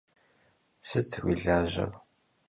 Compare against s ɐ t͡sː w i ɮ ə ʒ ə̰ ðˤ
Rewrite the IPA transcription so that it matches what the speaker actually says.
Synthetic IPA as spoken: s ə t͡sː w i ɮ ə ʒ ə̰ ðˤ

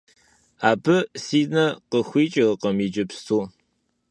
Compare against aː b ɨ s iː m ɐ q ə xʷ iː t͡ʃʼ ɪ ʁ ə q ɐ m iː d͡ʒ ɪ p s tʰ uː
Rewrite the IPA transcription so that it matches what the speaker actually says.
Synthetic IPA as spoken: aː b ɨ s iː n ɐ q ə xʷ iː t͡ʃʼ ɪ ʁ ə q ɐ m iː d͡ʒ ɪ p s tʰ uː

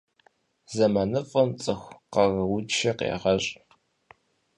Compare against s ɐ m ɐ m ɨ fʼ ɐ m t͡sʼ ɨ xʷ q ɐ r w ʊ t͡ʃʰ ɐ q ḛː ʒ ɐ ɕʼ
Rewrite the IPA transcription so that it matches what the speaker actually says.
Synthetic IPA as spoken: z ɐ m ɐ n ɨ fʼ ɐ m t͡sʼ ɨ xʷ q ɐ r w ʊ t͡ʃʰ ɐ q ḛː ʁ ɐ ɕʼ

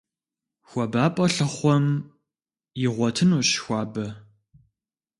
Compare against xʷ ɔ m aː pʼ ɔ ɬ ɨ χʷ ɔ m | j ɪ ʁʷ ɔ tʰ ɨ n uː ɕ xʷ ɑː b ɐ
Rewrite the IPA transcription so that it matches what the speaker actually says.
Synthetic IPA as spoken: xʷ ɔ b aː pʼ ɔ ɬ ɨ χʷ ɔ m | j ɪ ʁʷ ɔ tʰ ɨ n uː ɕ xʷ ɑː b ɐ

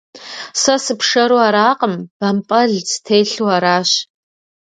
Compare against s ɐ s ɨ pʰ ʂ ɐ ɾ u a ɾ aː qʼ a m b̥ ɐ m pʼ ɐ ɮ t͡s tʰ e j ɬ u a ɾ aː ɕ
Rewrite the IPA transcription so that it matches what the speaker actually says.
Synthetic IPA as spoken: s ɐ s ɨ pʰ ʂ ɐ ɾ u a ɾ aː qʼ ə m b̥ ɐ m pʼ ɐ ɮ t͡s tʰ e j ɬ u a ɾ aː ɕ

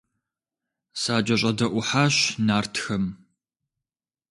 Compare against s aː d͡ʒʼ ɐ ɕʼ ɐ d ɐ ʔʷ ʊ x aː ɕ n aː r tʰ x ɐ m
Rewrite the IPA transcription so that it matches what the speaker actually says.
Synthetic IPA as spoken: s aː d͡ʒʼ ɐ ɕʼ ɐ d ɐ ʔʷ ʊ ħ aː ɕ n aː r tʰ x ɐ m

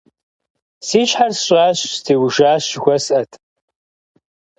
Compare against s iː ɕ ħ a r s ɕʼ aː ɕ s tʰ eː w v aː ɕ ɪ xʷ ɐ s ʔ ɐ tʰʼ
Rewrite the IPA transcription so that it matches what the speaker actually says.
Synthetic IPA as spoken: s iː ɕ ħ a r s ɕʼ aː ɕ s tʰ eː w ʒ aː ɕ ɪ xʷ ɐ s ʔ ɐ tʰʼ

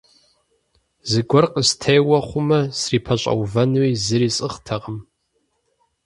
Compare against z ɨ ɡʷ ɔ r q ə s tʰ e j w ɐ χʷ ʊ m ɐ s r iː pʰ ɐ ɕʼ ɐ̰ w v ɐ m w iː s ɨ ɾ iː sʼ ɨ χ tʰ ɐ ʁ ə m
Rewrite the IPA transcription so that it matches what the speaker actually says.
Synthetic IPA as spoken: z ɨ ɡʷ ɔ r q ə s tʰ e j w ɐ χʷ ʊ m ɐ s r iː pʰ ɐ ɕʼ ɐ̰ w v ɐ n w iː z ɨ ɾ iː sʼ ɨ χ tʰ ɐ ʁ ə m

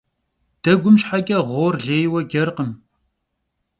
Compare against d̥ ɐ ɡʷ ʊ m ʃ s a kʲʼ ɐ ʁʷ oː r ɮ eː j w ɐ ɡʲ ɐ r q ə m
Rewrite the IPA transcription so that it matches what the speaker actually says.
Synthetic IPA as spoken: d̥ ɐ ɡʷ ʊ m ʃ ħ a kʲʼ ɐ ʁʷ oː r ɮ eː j w ɐ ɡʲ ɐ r q ə m

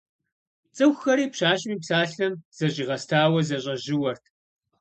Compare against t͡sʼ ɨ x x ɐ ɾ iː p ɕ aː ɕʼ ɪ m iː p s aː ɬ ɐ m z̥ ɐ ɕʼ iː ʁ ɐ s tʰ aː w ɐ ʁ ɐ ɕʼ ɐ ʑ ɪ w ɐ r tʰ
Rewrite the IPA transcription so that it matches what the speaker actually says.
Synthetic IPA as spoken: t͡sʼ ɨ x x ɐ ɾ iː p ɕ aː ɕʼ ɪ m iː p s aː ɬ ɐ m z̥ ɐ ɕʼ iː ʁ ɐ s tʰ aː w ɐ z ɐ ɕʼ ɐ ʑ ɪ w ɐ r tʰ

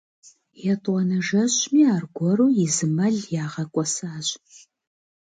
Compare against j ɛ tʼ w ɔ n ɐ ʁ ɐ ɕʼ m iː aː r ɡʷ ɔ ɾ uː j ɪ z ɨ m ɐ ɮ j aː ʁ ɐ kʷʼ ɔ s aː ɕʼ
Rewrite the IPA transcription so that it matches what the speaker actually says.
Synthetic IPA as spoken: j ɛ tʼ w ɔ n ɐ ʒ ɐ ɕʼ m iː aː r ɡʷ ɔ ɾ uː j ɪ z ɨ m ɐ ɮ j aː ʁ ɐ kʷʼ ɔ s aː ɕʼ

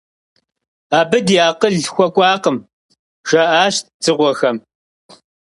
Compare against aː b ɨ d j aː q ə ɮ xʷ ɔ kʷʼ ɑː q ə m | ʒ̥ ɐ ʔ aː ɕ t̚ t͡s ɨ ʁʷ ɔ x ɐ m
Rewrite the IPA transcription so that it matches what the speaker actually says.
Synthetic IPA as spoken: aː b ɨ d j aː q ə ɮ xʷ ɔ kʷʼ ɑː q ə m | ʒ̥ ɐ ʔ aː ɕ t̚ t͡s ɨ ʁʷ ɔ x ɐ m

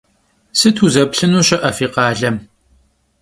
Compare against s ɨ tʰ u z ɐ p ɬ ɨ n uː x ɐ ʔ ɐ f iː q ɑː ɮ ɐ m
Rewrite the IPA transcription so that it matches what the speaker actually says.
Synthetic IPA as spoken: s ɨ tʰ u z ɐ p ɬ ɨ n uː ɕ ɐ ʔ ɐ f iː q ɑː ɮ ɐ m

